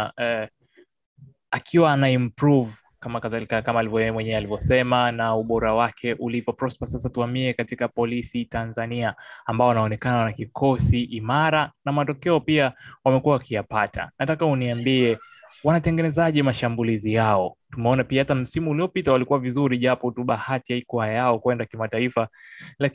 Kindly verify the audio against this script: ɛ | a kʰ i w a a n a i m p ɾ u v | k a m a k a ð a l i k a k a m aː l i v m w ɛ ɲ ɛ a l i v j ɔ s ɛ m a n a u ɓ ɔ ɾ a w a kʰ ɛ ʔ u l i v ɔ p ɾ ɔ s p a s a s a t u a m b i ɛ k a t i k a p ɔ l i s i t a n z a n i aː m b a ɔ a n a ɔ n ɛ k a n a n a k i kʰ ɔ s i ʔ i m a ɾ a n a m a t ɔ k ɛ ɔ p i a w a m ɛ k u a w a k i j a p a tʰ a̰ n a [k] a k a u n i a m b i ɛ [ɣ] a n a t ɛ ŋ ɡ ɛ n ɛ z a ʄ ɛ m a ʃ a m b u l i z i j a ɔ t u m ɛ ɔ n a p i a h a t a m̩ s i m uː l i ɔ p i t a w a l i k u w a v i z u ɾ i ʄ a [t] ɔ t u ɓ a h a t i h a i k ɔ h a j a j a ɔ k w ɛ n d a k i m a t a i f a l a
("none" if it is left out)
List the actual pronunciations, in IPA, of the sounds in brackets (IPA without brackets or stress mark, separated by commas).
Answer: t, w, p